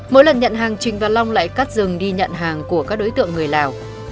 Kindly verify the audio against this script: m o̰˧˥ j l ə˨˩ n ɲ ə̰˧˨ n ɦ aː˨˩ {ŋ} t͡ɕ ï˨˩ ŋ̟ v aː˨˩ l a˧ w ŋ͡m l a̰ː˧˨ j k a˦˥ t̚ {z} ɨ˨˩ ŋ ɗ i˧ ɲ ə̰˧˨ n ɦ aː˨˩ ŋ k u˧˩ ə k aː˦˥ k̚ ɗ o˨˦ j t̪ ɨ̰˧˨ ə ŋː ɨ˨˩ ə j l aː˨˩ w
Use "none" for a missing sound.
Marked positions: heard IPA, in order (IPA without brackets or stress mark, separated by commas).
ŋ, z